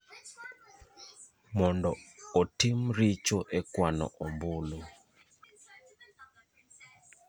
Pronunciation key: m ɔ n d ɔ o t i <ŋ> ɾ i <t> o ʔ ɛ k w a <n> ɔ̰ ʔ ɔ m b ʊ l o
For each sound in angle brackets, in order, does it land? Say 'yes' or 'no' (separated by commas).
no, no, yes